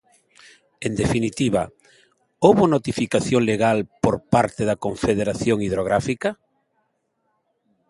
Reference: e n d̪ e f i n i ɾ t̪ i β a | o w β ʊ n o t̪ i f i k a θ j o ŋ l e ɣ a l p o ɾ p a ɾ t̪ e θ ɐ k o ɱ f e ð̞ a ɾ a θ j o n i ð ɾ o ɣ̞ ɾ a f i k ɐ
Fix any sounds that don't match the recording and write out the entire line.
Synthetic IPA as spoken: e n d̪ e f i n i t̪ i β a | o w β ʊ n o t̪ i f i k a θ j o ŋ l e ɣ a l p o ɾ p a ɾ t̪ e ð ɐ k o ɱ f e ð̞ e ɾ a θ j o ŋ i ð ɾ o ɣ̞ ɾ a f i k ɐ